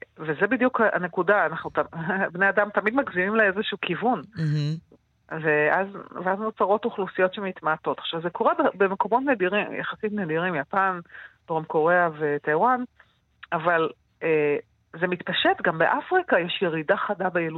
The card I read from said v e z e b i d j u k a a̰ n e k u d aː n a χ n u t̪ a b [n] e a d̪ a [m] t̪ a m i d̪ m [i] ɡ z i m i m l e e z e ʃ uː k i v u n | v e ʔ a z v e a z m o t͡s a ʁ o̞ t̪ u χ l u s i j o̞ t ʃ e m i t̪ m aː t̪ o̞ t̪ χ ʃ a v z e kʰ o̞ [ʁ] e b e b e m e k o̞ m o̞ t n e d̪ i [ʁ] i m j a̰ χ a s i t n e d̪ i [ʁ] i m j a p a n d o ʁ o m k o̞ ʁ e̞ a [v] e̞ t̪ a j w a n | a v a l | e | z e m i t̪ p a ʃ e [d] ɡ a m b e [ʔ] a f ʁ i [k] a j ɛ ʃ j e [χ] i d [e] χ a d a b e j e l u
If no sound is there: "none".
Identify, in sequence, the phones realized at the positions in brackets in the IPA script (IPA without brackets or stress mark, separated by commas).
n, m, a, ʁ, ʁ, ʁ, v, t, ʔ, k, ʁ, a